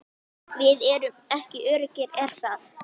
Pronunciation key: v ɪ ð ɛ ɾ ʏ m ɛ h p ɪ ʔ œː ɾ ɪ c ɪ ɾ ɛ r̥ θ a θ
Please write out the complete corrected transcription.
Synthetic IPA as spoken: v ɪ ð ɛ ɾ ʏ m ɛ h c ɪ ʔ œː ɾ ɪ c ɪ ɾ ɛ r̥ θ a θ

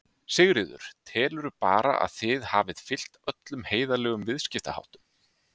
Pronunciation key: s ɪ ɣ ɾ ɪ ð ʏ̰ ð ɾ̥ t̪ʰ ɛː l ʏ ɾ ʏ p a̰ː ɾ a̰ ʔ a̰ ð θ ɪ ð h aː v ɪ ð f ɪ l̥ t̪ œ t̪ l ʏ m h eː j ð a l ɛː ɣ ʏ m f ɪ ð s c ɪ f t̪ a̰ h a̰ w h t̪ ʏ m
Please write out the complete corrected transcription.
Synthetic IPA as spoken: s ɪ ɣ ɾ ɪ ð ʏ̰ ɾ̥ t̪ʰ ɛː l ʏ ɾ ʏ p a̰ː ɾ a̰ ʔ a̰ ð θ ɪ ð h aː v ɪ ð f ɪ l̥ t̪ œ t̪ l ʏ m h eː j ð a l ɛː ɣ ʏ m v ɪ ð s c ɪ f t̪ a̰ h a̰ w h t̪ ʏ m

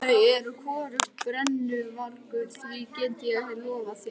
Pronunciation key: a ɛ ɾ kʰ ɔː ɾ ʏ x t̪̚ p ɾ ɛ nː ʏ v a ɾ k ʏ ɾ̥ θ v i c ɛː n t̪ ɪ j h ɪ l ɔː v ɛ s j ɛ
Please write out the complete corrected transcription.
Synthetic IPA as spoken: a ɛ ɾ kʰ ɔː ɾ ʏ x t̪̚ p ɾ ɛ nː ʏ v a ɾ k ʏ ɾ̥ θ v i c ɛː n t̪ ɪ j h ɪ l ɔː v a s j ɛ

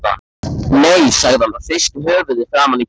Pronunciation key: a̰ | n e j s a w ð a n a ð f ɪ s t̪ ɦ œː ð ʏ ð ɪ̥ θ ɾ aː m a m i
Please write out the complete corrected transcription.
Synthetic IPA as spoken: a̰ | n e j s a ɣ ð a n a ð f ɪ s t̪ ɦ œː v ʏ ð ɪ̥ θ ɾ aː m a n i

